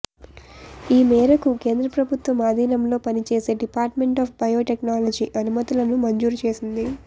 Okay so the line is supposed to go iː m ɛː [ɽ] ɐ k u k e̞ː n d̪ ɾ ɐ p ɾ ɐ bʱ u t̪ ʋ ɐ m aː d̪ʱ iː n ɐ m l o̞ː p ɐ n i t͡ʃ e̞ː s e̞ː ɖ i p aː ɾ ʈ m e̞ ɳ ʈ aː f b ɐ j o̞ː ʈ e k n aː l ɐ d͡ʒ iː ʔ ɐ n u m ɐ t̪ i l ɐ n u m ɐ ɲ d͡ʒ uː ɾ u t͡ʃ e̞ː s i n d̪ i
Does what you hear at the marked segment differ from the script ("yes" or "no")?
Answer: yes